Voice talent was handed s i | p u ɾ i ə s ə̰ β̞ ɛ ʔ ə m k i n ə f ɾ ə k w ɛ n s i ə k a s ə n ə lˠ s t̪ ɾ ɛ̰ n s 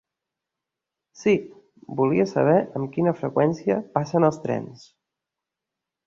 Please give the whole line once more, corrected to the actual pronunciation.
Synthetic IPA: s i | b u l i ə s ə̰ β̞ ɛ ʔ ə m k i n ə f ɾ ə k w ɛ n s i ə p a s ə n ə lˠ s t̪ ɾ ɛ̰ n s